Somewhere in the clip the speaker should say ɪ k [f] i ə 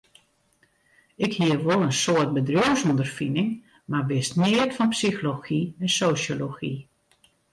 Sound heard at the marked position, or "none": h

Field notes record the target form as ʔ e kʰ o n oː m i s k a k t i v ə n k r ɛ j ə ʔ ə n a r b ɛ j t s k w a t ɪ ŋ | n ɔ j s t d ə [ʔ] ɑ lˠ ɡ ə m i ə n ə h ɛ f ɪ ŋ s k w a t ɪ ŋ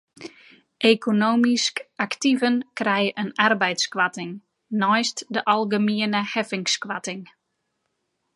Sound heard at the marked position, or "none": ʔ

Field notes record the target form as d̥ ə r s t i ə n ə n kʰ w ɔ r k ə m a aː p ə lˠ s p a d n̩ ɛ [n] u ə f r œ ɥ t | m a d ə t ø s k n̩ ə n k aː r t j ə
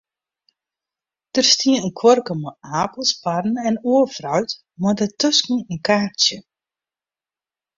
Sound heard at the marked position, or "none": n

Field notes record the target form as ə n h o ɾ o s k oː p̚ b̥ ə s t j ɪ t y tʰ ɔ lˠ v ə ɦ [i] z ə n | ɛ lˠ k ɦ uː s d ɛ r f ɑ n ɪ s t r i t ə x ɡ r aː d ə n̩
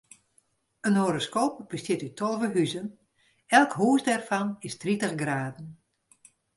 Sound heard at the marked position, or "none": y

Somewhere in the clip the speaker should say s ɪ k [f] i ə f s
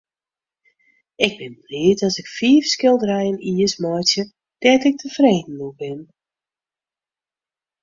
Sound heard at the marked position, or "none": f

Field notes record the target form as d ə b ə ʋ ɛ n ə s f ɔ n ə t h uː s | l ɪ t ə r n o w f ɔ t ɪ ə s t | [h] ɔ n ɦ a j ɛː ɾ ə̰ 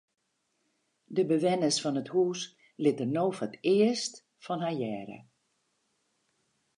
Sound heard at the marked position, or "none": f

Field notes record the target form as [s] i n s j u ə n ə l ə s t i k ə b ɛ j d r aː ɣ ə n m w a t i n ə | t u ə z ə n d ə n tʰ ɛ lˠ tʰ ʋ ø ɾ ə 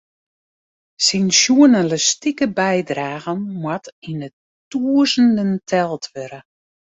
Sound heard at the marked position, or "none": s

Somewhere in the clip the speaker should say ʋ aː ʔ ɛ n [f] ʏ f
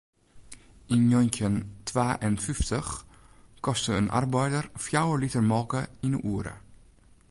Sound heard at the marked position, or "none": f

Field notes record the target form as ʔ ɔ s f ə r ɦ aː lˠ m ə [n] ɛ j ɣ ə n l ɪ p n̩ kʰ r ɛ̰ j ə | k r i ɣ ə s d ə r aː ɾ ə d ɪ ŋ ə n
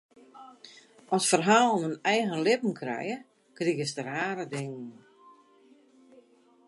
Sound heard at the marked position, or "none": n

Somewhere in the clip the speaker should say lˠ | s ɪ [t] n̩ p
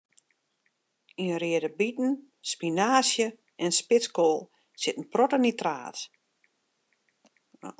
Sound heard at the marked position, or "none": t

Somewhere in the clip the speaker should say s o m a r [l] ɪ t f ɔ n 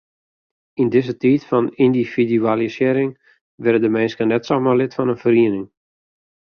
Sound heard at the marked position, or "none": l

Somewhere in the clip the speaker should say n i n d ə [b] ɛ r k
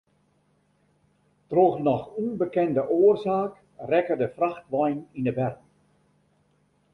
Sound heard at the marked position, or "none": b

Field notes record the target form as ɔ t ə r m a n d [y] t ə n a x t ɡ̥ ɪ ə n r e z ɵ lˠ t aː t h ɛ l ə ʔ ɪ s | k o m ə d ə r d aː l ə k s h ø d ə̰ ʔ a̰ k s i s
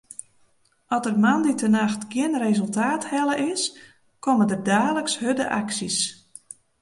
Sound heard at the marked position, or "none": i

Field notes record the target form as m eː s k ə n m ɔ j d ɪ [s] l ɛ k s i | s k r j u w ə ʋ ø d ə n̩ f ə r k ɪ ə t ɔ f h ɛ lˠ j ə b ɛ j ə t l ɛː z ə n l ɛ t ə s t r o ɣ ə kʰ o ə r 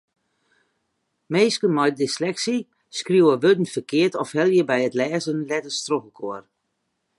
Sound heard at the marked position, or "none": s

